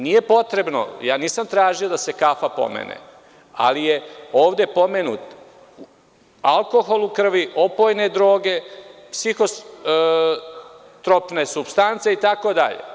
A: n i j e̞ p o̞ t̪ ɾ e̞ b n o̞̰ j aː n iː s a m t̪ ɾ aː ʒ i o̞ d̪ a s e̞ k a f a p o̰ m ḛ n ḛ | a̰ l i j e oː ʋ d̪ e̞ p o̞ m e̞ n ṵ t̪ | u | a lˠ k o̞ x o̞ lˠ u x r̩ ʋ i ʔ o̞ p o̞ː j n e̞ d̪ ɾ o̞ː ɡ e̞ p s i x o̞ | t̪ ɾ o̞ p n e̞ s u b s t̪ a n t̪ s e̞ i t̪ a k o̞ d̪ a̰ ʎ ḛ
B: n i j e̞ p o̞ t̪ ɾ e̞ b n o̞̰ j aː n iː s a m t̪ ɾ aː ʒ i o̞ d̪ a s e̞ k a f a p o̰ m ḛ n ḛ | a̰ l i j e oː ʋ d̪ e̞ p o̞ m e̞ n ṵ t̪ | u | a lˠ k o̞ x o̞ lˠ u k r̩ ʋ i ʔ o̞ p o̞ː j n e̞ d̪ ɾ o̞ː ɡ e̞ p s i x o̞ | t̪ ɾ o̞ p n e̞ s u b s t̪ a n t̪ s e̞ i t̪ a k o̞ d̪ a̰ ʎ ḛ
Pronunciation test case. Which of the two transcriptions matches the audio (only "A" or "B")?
B